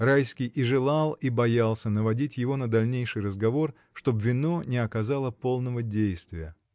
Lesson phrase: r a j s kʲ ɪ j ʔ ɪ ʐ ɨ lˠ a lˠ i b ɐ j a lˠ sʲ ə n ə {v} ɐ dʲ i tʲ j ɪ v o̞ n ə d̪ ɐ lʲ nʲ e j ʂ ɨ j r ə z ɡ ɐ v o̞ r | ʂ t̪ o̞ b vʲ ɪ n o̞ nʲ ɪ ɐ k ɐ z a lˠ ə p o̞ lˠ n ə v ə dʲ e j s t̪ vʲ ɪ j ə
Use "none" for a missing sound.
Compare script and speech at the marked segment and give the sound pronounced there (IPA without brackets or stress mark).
v